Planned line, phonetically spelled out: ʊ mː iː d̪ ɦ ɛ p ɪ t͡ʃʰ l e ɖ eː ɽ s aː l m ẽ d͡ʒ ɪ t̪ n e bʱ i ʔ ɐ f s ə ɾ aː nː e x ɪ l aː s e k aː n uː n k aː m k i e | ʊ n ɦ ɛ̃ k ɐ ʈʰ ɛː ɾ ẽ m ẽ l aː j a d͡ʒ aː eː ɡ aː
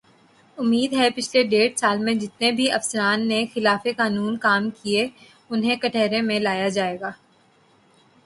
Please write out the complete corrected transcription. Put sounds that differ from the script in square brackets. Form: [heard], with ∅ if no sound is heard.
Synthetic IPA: ʊ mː iː d̪ ɦ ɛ p ɪ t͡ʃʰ l e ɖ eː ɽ s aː l m ẽ d͡ʒ ɪ t̪ n e bʱ i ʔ ɐ f s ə ɾ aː nː e x ɪ l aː [f] e k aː n uː n k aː m k i e | ʊ n ɦ [ẽ] k ɐ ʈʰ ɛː ɾ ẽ m ẽ l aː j a d͡ʒ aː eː ɡ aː